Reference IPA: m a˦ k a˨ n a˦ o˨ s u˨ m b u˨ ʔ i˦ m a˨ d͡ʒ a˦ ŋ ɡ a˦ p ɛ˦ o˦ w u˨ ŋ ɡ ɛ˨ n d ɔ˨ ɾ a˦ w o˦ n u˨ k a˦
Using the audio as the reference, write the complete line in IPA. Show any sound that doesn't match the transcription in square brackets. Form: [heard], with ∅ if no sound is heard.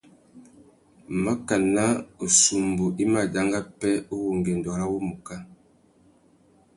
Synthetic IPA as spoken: m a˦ k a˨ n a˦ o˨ s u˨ m b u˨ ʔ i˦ m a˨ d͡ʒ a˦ ŋ ɡ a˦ p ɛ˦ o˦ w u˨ ŋ ɡ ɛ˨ n d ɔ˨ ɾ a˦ w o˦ [m] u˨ k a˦